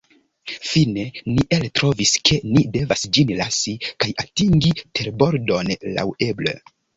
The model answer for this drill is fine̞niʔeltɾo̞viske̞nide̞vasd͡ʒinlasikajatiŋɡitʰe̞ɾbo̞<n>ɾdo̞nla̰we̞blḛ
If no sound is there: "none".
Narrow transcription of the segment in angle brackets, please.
none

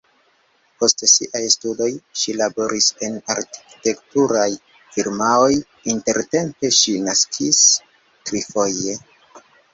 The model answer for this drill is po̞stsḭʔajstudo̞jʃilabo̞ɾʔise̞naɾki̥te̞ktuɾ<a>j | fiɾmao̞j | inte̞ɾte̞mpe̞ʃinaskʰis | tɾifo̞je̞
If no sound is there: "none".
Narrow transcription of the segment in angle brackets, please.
a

